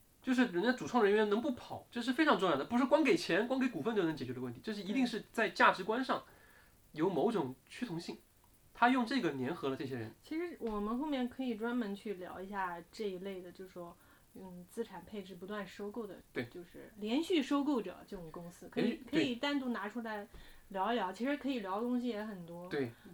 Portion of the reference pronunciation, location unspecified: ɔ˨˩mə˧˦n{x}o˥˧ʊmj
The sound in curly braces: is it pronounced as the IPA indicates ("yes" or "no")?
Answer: yes